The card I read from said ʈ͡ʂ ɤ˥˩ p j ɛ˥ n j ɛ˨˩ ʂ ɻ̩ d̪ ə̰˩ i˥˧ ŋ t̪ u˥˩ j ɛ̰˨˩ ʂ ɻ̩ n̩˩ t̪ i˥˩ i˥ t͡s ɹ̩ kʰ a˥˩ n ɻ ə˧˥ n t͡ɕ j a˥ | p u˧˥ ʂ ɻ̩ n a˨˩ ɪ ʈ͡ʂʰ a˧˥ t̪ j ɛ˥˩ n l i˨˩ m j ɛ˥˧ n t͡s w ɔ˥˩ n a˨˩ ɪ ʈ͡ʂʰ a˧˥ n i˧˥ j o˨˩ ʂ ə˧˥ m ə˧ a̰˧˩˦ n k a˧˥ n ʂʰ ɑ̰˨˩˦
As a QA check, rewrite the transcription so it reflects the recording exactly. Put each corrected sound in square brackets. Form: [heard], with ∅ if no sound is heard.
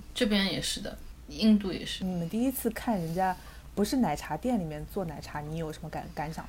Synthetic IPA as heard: ʈ͡ʂ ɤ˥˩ p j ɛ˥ n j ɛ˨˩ ʂ ɻ̩ d̪ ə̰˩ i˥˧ ŋ t̪ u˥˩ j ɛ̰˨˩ ʂ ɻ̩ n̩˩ t̪ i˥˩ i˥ [t͡sʰ] ɹ̩ kʰ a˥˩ n ɻ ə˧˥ n t͡ɕ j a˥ | p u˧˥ ʂ ɻ̩ n a˨˩ ɪ ʈ͡ʂʰ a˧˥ t̪ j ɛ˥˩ n l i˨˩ m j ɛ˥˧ n t͡s w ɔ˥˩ n a˨˩ ɪ ʈ͡ʂʰ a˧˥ n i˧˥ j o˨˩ ʂ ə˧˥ m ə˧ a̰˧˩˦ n k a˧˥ n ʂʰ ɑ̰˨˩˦